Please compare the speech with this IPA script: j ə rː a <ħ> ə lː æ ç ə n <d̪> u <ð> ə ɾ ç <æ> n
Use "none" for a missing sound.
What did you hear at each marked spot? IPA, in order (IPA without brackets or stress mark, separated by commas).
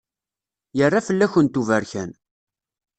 f, t̪, v, æ